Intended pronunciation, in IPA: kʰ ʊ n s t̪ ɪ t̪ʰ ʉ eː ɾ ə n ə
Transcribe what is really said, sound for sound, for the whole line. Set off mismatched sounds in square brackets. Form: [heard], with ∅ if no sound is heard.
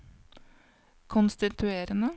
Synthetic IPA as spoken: kʰ ʊ n s t̪ ɪ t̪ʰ ʉ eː ɾ ə n ə